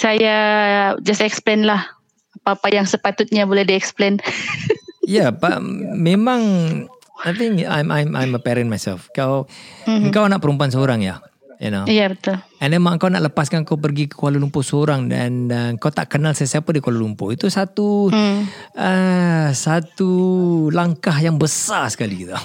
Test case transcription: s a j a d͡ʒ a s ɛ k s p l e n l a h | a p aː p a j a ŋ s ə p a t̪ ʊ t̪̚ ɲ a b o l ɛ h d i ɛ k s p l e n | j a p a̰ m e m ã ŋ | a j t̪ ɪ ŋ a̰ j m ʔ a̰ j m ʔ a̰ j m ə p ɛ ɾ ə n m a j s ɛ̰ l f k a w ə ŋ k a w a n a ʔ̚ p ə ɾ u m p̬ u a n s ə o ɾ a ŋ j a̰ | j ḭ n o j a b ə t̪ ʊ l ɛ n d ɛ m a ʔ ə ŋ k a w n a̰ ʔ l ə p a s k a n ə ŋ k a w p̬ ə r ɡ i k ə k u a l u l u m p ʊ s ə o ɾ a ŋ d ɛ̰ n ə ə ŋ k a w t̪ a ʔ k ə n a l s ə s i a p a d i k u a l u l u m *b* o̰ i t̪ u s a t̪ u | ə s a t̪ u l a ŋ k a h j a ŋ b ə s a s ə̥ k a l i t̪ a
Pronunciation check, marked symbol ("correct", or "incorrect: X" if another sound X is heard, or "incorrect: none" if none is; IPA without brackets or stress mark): incorrect: p